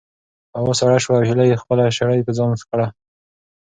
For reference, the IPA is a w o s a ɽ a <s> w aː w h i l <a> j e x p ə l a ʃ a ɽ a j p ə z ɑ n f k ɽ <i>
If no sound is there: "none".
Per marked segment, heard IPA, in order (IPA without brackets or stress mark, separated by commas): ʃ, a, a